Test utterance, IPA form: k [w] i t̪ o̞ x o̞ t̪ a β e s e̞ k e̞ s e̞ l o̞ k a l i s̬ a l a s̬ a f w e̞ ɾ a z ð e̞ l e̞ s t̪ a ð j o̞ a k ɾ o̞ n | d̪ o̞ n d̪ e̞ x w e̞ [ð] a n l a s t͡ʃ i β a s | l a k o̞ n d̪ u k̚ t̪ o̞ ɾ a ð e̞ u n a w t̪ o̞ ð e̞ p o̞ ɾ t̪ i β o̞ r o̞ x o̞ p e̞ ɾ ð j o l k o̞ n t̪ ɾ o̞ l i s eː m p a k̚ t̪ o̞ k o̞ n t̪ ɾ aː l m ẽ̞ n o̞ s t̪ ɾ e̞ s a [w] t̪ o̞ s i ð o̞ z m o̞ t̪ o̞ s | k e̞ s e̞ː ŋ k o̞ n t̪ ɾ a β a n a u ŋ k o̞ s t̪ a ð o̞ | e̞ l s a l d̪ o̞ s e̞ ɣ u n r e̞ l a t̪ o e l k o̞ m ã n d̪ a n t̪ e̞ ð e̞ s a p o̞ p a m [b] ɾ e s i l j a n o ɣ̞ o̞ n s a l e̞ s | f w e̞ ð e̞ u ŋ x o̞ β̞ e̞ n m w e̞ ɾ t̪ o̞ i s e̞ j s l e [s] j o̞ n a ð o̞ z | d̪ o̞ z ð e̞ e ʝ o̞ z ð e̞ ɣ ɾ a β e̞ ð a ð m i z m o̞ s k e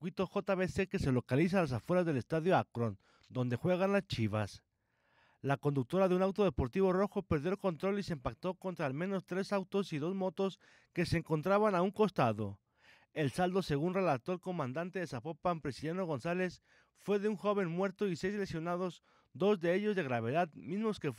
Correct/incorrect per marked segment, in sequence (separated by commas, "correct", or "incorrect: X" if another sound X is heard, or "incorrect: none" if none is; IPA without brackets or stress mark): correct, incorrect: ɣ, correct, incorrect: p, correct